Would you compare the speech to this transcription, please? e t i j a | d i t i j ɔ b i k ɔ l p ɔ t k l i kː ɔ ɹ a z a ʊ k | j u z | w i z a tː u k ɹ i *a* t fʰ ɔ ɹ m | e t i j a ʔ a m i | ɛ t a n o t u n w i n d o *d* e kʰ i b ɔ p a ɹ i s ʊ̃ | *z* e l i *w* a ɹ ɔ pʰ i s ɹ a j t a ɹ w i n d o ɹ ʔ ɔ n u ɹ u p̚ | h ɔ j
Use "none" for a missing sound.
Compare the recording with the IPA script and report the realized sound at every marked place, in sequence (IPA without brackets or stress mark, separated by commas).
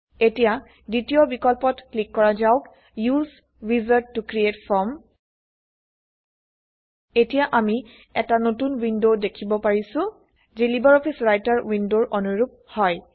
e, d, z, b